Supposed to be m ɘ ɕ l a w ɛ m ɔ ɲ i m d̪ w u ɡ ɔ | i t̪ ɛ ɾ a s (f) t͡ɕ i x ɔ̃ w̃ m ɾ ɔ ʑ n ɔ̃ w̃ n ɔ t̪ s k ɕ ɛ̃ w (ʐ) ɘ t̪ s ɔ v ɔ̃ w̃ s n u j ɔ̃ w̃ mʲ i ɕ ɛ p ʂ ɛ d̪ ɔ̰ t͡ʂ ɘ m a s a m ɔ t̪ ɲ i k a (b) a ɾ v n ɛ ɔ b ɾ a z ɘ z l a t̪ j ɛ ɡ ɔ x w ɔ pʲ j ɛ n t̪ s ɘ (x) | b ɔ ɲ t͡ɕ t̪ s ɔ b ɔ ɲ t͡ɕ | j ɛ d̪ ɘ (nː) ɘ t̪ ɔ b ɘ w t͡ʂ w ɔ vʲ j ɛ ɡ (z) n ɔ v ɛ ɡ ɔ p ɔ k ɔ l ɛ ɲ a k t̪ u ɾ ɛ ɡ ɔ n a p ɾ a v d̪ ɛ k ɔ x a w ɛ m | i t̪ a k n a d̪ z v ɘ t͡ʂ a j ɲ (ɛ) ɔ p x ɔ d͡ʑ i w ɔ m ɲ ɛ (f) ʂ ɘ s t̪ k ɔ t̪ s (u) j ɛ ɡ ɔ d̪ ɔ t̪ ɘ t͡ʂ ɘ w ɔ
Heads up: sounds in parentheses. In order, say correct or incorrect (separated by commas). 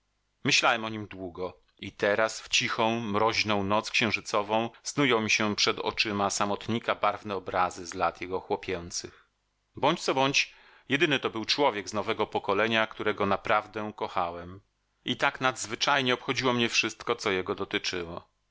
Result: correct, correct, correct, correct, incorrect, correct, correct, correct, incorrect